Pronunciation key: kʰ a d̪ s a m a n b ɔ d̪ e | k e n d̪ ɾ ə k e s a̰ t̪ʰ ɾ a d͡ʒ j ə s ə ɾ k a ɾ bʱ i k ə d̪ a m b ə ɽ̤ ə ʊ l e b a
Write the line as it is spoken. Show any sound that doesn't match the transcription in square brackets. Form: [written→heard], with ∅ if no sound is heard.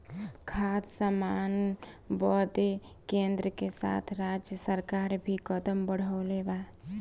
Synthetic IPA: kʰ a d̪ s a m a n b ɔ d̪ e | k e n d̪ ɾ ə k e s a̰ t̪ʰ ɾ a d͡ʒ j ə s ə ɾ k a ɾ bʱ i k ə d̪ [a→ə] m b ə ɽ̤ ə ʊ l e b a